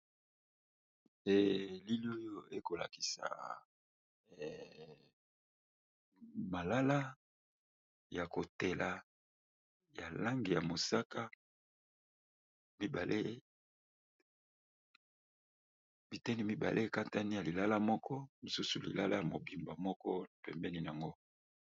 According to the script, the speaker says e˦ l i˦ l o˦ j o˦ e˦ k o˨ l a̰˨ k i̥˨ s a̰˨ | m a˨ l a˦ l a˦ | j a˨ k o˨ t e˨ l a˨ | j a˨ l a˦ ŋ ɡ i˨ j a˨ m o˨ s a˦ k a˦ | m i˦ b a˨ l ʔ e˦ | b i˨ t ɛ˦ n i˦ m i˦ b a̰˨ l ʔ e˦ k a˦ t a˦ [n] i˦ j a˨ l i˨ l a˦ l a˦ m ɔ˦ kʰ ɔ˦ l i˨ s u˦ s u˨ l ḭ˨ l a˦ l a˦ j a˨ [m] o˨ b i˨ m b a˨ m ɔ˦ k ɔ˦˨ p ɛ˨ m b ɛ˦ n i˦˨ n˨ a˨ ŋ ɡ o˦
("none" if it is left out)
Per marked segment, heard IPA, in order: n, m

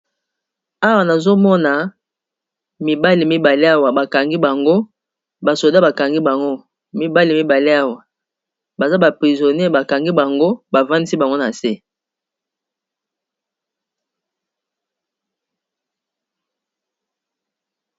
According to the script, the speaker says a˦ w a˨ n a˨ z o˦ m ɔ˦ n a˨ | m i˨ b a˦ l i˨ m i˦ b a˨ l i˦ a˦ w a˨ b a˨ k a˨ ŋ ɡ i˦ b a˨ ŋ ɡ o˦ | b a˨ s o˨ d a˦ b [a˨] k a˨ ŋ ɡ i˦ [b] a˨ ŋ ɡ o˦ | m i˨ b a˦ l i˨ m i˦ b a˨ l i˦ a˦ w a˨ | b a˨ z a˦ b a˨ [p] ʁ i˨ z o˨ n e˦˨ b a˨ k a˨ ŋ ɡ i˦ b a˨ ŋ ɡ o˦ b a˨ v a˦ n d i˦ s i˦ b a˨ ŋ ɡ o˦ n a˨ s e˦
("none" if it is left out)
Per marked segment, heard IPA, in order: a˨, b, p

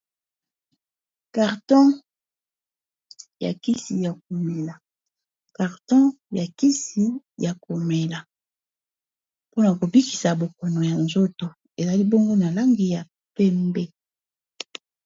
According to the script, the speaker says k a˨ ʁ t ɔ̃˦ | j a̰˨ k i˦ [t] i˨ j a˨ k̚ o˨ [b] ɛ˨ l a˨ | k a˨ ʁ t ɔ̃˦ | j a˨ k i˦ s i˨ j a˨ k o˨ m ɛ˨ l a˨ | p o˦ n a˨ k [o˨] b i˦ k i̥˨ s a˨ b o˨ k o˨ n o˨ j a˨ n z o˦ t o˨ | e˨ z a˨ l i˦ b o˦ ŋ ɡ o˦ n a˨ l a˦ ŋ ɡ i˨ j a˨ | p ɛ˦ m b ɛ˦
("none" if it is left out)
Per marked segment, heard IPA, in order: s, m, o˨

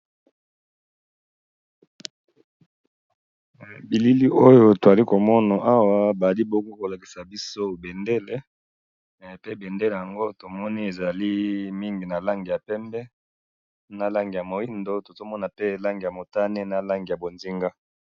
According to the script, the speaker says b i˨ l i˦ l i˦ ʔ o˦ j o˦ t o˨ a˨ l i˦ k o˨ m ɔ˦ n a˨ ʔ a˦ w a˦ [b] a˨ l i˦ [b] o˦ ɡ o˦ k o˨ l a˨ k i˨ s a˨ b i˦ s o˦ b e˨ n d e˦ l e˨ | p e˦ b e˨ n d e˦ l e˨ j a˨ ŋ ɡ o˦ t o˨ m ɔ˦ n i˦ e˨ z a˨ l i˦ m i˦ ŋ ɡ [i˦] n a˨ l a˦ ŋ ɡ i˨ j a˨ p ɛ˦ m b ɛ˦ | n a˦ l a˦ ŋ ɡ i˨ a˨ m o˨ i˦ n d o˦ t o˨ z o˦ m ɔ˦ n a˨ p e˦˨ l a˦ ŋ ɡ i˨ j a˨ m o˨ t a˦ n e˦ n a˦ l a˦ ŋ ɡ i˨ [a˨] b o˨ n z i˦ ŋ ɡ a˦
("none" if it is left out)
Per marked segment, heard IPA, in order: b, b, i˨, a˨

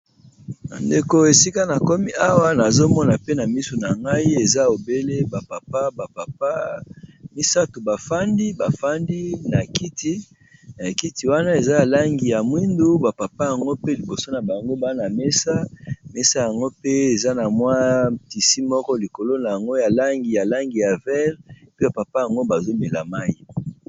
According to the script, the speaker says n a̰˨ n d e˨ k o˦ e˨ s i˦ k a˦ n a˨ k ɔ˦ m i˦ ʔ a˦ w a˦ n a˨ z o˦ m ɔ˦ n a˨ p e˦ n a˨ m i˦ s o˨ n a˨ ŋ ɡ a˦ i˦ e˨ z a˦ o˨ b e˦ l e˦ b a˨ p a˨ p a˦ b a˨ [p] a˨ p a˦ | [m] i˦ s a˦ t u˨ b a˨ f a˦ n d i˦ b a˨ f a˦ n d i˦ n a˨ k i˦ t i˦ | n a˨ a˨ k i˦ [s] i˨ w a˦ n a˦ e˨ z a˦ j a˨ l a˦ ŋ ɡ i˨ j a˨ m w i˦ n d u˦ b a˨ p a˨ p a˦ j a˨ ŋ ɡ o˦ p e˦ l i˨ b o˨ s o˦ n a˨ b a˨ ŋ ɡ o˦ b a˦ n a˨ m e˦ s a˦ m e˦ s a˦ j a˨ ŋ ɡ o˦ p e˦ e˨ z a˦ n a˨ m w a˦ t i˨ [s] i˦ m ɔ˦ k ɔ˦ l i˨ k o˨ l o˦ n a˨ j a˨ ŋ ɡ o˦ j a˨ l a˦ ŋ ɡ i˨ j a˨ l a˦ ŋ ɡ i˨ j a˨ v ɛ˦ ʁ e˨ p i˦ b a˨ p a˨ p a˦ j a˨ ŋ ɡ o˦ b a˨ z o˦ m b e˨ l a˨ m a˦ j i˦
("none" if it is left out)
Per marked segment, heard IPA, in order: p, m, t, s

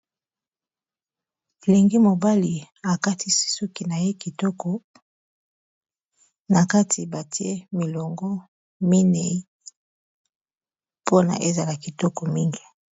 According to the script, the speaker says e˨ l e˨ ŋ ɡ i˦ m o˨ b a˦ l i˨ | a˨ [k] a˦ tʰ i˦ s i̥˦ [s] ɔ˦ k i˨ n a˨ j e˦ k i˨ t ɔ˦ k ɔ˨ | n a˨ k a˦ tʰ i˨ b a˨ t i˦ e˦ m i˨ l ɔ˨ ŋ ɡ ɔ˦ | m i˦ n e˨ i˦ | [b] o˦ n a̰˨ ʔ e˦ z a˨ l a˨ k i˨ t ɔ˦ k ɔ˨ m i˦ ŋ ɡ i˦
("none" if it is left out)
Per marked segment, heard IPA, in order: k, s, p

